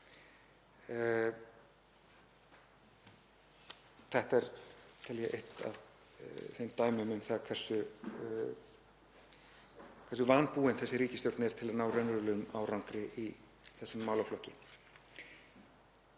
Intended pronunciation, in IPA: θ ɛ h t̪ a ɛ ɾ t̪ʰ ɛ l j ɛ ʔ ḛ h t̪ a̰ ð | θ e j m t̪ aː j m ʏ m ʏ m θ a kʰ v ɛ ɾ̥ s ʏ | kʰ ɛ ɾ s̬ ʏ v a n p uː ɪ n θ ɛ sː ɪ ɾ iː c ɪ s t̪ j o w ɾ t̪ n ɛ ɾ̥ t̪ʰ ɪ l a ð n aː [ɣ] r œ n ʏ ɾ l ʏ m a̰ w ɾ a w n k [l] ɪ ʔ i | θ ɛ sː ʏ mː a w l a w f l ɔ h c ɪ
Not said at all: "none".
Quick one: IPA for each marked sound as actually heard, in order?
w, ɾ

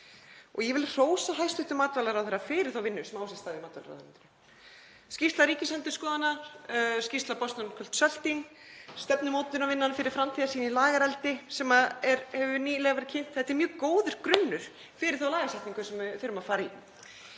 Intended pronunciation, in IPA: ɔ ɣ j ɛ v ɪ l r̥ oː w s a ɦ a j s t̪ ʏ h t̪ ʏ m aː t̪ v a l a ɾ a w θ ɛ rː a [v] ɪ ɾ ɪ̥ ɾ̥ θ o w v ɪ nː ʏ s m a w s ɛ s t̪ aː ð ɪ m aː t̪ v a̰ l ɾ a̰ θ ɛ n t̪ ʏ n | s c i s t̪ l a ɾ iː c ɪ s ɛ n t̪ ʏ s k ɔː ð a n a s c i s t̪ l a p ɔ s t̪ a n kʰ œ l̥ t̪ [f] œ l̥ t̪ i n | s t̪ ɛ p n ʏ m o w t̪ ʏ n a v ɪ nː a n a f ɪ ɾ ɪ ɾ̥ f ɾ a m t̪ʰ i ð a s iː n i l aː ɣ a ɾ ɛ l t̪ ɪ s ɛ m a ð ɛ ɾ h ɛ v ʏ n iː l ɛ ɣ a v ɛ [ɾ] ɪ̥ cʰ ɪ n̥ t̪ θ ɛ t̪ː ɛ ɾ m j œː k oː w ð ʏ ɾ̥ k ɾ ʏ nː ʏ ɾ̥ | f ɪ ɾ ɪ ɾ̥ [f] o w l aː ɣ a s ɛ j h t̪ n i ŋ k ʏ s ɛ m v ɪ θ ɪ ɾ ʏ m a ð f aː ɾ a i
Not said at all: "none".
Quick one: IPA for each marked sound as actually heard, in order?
f, s, ɾ, θ

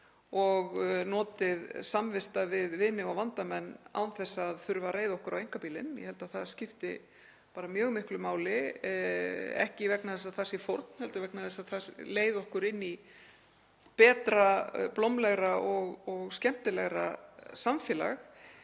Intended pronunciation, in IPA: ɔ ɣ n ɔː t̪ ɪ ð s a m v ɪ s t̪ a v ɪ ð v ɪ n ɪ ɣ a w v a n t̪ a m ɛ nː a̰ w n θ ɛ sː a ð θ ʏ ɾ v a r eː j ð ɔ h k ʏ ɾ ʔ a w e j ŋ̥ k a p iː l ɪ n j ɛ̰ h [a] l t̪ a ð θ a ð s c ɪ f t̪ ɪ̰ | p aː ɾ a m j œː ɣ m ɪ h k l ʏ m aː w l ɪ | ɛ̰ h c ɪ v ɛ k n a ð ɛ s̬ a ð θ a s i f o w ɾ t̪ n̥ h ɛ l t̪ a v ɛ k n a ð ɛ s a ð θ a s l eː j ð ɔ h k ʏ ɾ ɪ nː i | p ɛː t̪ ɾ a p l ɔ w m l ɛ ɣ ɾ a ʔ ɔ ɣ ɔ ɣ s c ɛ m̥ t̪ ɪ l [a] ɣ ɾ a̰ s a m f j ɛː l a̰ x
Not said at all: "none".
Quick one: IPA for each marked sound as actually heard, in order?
ɛ, ɛ

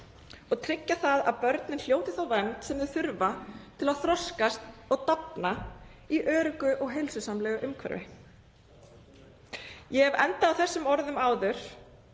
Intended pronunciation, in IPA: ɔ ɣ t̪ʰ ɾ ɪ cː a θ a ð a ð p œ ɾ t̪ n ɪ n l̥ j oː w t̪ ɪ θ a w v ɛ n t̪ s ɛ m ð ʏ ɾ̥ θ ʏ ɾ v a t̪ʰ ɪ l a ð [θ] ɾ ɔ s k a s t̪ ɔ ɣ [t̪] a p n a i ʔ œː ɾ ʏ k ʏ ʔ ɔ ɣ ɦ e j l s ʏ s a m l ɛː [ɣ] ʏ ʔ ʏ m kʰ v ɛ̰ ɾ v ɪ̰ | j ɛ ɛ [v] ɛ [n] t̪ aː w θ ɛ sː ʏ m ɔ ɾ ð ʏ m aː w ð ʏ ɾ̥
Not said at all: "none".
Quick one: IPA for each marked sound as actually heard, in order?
θ, t̪, ɣ, v, n

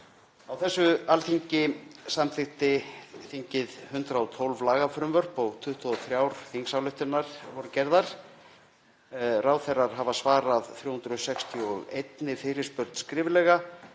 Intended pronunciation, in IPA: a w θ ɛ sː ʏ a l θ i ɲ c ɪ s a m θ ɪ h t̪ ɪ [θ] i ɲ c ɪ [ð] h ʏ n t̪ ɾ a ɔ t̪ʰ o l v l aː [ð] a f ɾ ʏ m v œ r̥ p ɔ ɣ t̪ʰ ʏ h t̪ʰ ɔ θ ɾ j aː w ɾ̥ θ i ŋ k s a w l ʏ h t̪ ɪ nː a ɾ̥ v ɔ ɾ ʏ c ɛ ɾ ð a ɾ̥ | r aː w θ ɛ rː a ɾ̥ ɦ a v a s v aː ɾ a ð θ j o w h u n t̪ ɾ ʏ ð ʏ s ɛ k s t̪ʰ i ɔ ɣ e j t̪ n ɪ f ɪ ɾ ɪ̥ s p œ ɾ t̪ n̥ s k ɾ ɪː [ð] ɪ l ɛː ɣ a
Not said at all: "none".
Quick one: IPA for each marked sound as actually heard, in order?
θ, ð, ɣ, v

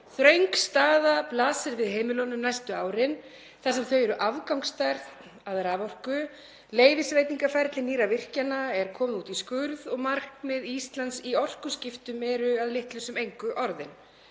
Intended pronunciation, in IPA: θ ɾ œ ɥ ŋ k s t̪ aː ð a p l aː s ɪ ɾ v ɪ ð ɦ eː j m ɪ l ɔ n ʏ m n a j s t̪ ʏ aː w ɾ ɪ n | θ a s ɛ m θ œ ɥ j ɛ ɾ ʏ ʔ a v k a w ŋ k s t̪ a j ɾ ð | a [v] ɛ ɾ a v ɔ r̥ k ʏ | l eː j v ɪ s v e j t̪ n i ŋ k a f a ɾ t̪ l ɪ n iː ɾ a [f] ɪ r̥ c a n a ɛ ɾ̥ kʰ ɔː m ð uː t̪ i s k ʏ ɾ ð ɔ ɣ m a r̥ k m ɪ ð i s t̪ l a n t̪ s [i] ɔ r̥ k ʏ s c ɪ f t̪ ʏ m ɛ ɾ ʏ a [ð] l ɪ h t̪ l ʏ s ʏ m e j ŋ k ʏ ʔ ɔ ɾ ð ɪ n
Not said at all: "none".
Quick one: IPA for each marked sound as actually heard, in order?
ð, v, i, ð

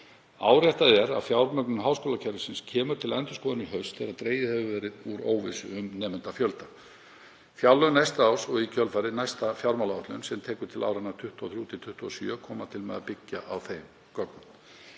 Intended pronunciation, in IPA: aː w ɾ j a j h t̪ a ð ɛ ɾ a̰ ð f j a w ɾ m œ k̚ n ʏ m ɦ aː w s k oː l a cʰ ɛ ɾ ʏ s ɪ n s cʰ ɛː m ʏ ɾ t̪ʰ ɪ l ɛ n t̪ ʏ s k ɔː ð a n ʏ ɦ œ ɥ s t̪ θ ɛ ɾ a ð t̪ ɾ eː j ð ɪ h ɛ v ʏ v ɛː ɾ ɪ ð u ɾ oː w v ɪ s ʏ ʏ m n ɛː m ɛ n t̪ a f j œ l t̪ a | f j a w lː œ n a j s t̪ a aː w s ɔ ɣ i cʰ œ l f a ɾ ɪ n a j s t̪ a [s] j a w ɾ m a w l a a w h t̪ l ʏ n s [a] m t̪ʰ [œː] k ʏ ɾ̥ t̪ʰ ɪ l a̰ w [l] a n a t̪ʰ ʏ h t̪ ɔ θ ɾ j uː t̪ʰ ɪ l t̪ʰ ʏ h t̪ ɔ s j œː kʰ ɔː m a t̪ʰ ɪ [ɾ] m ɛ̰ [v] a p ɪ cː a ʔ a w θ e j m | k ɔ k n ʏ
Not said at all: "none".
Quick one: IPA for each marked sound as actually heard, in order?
f, ɛ, ɛː, ɾ, l, ð

